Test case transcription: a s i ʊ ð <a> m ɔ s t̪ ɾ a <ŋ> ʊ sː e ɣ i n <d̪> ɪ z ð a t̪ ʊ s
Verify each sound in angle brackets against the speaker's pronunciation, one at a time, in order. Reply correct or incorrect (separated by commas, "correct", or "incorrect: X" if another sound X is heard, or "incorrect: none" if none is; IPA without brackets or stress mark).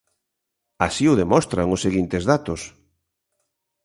incorrect: e, correct, incorrect: t̪